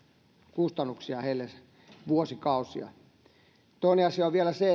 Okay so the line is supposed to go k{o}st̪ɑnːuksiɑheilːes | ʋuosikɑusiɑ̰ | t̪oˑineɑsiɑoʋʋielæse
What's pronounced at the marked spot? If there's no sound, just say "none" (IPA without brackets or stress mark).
u